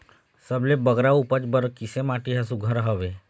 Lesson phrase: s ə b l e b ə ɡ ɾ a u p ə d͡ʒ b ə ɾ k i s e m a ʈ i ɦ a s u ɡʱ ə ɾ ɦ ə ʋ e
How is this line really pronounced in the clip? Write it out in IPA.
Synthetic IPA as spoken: s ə b l e b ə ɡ ɾ a u p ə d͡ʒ b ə ɾ k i s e m a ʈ i ɦ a s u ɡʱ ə ɾ ɦ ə ʋ e